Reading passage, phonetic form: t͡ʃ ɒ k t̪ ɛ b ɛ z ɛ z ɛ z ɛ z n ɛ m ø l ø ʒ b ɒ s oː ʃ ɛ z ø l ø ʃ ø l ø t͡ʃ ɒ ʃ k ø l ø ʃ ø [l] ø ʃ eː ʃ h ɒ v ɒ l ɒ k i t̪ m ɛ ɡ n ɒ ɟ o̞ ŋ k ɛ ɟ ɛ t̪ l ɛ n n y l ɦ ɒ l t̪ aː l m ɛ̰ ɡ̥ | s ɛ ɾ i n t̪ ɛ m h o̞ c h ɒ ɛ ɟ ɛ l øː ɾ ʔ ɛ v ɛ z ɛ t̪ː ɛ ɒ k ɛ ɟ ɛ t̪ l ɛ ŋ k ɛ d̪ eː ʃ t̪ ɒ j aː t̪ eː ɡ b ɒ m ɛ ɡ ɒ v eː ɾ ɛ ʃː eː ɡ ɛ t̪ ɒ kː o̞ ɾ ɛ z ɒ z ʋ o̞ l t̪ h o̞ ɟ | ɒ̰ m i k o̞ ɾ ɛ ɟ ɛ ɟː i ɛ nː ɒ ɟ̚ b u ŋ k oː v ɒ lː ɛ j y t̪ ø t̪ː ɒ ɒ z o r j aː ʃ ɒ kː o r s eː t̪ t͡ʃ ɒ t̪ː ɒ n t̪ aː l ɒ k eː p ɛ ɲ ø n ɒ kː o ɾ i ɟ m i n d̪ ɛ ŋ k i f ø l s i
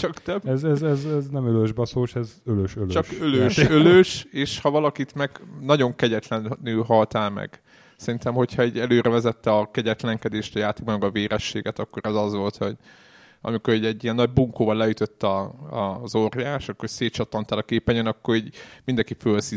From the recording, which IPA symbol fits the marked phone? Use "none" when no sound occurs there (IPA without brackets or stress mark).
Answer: l